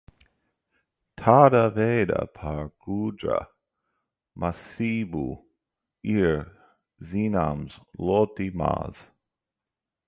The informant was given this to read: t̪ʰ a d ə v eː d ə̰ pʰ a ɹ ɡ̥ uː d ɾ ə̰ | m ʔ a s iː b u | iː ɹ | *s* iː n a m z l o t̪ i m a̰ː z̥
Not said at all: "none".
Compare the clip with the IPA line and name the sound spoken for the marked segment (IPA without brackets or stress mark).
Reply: z